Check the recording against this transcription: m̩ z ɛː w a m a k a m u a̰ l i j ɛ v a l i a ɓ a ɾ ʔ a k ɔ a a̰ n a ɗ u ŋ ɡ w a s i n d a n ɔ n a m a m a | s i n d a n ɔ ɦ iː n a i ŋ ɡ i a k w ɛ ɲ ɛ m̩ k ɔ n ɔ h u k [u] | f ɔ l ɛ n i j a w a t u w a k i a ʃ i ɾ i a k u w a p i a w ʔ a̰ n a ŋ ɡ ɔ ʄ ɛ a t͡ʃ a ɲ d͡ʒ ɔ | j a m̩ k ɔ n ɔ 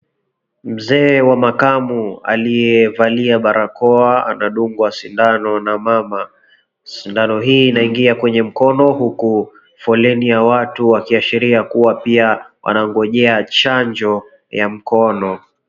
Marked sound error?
no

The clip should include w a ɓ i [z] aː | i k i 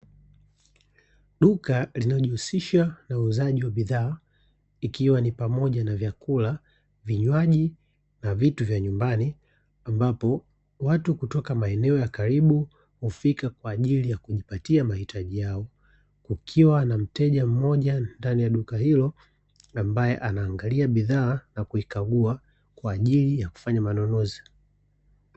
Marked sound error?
yes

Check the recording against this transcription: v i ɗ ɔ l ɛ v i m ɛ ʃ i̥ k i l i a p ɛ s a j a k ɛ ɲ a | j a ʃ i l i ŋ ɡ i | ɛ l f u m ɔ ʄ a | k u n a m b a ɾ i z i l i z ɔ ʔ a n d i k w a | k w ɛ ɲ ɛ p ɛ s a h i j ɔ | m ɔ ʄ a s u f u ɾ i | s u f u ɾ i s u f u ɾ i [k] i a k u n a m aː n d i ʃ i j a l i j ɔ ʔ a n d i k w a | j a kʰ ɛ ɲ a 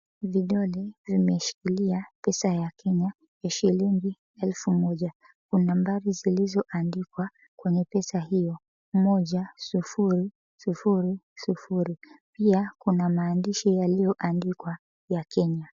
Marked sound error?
yes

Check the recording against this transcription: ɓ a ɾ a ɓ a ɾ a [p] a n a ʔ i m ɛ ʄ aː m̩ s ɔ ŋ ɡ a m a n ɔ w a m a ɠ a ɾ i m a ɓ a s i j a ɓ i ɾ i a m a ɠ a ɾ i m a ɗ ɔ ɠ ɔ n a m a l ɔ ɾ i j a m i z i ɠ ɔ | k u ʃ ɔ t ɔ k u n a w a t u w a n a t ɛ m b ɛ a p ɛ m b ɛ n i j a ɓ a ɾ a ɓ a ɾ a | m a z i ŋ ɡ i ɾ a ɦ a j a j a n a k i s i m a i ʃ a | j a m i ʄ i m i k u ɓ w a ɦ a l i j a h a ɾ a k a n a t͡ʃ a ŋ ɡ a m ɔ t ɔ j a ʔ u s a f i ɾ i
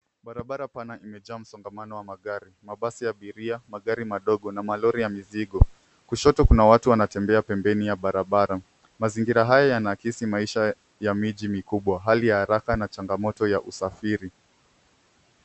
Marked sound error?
no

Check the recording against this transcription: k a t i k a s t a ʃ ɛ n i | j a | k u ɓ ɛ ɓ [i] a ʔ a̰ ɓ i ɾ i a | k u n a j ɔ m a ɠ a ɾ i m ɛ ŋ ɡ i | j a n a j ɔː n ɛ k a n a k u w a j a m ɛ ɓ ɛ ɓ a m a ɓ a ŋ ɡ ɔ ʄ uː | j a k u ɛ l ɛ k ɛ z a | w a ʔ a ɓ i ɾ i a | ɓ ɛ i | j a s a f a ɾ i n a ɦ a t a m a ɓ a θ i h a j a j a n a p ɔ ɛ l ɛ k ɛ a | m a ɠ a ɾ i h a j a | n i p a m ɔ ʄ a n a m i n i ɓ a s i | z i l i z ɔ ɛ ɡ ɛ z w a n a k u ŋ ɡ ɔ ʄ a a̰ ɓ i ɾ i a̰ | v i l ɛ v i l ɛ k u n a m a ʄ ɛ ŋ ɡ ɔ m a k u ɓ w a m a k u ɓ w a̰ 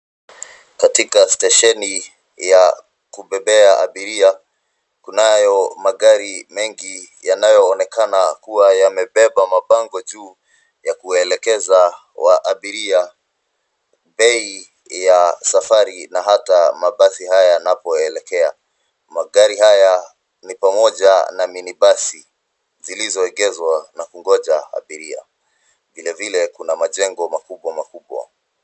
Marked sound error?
yes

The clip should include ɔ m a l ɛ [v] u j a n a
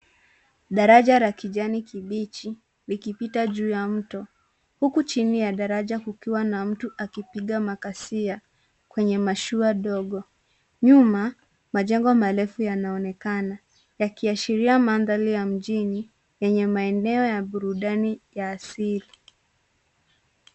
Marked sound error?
yes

